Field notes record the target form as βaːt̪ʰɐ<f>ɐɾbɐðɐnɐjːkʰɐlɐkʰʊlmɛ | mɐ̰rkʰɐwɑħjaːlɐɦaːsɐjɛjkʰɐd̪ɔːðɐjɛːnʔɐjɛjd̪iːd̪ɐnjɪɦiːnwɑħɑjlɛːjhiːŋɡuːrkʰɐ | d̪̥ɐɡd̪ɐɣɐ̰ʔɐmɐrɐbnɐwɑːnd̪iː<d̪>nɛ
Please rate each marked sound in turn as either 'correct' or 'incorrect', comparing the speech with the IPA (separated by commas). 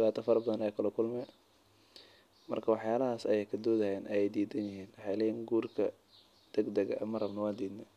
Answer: correct, correct